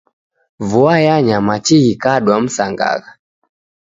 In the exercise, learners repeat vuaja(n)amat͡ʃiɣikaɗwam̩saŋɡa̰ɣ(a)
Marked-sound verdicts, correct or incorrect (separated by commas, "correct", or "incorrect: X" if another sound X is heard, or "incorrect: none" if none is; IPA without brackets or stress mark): incorrect: ɲ, correct